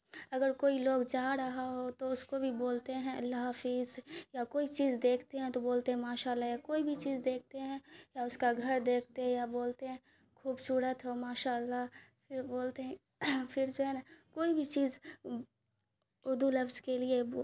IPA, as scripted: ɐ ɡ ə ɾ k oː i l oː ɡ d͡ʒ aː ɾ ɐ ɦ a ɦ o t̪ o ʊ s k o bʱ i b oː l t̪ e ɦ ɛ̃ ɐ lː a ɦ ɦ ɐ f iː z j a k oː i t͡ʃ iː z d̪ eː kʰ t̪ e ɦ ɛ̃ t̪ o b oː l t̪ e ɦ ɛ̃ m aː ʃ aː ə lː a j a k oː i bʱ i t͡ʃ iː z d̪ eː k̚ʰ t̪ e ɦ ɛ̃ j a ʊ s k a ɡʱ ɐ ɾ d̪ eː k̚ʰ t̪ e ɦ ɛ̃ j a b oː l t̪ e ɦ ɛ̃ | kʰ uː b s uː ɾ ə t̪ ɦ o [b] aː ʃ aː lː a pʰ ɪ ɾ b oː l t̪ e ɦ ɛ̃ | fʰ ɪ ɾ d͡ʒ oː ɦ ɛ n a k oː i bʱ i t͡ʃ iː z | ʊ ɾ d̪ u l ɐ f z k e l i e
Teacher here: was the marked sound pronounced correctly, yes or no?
no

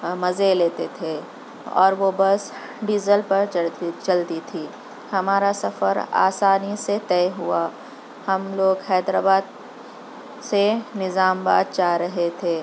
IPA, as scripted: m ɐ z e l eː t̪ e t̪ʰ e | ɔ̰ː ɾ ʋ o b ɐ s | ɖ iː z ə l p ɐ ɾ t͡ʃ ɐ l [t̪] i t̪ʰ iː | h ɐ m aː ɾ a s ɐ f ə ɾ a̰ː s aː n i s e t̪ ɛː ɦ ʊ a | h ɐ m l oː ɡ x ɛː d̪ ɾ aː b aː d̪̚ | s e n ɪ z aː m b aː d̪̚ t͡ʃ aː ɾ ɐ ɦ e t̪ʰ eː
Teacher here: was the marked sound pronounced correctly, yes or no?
yes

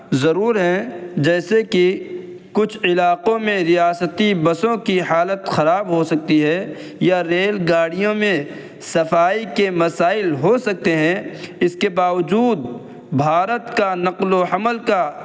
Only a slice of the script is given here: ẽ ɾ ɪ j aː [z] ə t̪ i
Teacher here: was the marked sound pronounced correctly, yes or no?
no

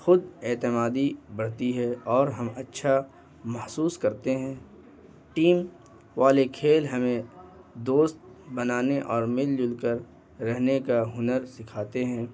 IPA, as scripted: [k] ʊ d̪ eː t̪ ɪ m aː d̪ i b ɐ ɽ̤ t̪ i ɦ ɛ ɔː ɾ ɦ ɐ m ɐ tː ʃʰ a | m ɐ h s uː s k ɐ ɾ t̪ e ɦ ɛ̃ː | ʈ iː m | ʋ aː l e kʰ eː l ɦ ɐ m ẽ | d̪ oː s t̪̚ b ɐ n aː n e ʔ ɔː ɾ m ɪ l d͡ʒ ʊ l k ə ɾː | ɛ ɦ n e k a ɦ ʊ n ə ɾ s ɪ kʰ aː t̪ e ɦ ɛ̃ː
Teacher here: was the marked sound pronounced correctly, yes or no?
no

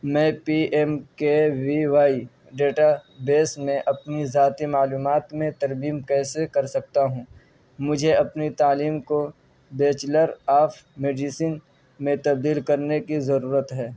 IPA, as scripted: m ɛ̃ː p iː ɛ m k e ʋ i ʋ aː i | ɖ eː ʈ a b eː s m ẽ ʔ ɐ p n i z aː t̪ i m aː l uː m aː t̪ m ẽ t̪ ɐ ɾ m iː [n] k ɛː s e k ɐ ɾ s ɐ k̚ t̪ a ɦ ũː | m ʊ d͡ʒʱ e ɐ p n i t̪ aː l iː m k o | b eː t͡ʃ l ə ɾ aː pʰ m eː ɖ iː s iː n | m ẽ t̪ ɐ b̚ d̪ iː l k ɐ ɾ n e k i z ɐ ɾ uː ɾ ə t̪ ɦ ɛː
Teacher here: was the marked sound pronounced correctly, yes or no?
no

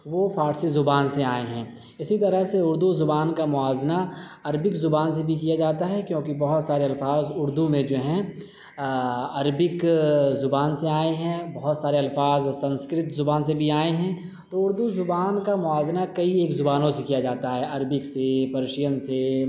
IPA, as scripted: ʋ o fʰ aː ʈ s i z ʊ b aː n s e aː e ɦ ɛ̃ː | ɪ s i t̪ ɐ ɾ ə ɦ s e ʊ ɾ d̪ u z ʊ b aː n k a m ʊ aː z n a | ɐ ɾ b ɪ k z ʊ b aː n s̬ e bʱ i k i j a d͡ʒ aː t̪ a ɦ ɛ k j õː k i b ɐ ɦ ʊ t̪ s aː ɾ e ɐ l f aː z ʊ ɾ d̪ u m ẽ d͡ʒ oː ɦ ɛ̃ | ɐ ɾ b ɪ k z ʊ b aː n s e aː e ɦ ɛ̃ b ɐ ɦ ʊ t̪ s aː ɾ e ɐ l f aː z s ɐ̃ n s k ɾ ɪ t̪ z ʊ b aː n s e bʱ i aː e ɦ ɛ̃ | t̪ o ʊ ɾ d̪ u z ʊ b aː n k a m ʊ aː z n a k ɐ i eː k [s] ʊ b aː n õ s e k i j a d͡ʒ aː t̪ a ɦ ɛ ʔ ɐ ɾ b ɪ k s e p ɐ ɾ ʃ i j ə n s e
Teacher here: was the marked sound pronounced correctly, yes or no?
no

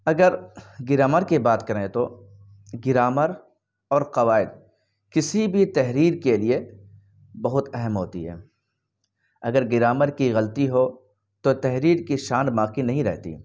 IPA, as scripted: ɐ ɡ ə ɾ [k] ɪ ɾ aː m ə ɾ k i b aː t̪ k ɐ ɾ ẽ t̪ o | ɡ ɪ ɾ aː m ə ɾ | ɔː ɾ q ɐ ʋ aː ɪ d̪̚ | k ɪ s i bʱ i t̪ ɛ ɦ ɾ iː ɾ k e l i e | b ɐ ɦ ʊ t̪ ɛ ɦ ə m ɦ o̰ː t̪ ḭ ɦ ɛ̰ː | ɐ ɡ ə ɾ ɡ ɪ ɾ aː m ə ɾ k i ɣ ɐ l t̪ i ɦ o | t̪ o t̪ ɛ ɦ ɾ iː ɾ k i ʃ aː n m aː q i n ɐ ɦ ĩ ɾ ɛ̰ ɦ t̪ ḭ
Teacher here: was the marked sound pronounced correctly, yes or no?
no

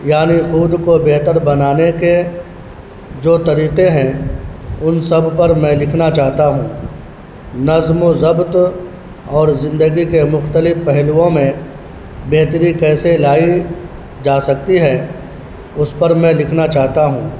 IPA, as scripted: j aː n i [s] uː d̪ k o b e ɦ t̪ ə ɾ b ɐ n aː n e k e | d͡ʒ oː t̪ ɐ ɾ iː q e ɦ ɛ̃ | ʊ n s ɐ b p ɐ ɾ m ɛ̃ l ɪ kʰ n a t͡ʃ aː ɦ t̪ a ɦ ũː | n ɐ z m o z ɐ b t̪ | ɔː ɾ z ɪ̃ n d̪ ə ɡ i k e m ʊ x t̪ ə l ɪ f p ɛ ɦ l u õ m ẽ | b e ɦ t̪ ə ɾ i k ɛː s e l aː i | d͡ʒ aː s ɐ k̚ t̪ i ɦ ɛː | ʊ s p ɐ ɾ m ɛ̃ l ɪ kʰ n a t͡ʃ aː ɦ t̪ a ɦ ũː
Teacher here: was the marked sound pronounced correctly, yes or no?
no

